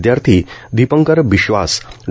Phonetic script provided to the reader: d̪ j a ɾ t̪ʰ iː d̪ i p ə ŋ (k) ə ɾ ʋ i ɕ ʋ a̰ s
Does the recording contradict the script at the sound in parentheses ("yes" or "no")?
no